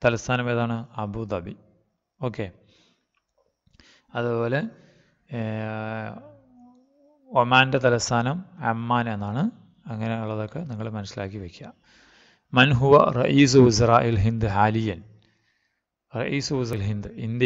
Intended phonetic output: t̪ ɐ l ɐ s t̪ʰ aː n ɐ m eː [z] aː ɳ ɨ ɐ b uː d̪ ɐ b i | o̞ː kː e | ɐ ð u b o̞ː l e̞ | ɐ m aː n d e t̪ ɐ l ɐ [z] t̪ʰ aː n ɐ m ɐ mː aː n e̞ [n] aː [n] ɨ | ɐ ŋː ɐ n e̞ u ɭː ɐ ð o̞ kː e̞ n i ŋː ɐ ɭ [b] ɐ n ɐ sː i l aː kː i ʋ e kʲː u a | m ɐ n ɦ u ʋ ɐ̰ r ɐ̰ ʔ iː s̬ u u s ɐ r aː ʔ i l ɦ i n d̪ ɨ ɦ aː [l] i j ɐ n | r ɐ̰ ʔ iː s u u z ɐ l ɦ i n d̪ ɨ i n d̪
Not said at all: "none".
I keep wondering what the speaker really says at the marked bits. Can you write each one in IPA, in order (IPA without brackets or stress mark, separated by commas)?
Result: ð, s, nː, ɳ, m, l